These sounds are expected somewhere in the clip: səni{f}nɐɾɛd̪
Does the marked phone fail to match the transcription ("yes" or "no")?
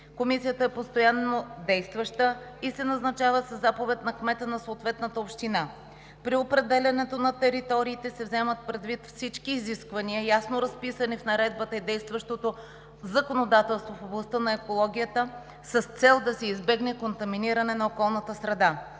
no